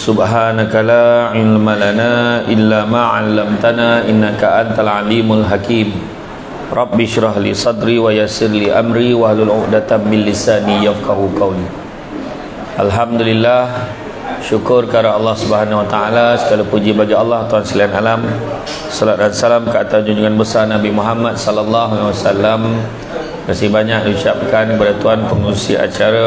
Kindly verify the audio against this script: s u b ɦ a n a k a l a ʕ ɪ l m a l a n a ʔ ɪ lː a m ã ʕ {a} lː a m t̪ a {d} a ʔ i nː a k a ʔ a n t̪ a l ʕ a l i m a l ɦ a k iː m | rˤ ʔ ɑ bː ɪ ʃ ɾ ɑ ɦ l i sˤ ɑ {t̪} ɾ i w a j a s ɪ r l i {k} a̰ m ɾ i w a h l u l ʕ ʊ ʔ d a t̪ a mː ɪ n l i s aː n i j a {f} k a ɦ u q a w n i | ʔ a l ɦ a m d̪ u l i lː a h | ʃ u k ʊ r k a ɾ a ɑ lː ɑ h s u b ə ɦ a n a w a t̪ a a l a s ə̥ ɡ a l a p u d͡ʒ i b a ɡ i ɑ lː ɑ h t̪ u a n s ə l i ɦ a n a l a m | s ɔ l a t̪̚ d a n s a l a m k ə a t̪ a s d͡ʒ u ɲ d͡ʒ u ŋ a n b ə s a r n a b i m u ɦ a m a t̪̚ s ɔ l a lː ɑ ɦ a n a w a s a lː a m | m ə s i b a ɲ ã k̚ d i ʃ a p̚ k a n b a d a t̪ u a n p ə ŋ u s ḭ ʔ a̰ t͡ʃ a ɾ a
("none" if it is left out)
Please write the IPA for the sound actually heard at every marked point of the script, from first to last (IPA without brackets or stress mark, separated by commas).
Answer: a, n, d̪, ʔ, f